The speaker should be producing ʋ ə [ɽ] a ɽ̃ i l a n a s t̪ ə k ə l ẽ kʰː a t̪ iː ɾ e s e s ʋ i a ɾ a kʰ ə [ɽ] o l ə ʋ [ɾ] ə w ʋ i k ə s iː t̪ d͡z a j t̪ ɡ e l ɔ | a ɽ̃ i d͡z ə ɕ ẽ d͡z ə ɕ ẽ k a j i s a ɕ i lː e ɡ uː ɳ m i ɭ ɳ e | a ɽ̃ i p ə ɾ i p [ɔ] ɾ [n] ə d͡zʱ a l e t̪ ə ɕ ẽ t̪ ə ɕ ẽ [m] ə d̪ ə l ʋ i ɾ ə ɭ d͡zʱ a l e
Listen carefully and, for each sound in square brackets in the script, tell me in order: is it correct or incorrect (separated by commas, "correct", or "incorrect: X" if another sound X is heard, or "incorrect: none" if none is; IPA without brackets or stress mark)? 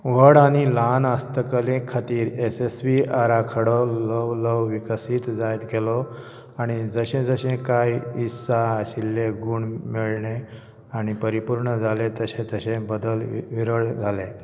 correct, correct, incorrect: l, incorrect: u, incorrect: ɳ, incorrect: b